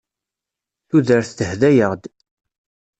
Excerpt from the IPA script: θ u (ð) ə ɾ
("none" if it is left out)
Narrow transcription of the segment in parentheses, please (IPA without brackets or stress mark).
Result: ð